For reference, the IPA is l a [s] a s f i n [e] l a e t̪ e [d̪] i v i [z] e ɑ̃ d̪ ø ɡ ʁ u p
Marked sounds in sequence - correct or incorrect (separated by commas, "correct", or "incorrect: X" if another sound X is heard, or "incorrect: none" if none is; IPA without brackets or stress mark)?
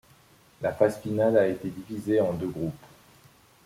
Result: incorrect: f, incorrect: a, correct, correct